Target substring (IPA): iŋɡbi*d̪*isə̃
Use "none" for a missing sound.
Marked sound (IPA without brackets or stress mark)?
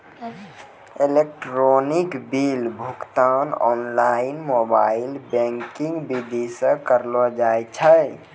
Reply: d̪